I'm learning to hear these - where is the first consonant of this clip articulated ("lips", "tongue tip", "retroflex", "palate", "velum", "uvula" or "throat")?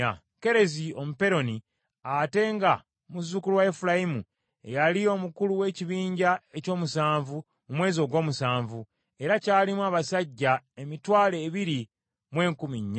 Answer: velum